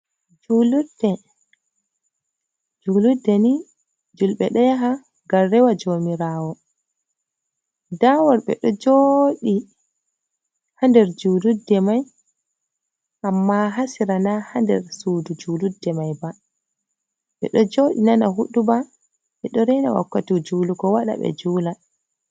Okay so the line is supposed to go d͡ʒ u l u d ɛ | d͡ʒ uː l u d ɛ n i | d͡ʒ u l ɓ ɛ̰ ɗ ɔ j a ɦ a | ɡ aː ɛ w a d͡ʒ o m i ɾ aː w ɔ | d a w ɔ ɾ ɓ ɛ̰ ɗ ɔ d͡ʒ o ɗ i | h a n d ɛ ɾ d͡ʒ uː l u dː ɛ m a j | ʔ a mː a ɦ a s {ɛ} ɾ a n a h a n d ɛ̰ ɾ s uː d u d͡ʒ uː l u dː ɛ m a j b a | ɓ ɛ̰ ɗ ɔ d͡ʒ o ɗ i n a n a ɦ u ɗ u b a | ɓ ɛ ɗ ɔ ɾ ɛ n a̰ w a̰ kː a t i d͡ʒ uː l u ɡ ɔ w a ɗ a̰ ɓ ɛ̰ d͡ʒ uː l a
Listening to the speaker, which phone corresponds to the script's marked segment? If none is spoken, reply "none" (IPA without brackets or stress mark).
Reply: i